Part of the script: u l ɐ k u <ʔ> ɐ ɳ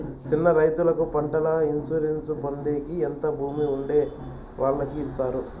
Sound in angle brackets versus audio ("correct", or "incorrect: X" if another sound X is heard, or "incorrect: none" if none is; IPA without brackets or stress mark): incorrect: p